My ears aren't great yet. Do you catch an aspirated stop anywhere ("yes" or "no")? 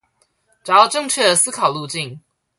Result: yes